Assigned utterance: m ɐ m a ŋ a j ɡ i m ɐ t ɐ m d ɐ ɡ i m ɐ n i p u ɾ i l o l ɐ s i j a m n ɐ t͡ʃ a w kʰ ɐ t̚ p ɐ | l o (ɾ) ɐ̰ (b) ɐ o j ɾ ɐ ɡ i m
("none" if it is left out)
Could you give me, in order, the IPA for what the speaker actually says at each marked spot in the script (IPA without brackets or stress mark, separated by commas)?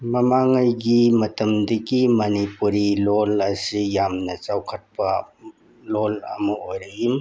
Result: l, m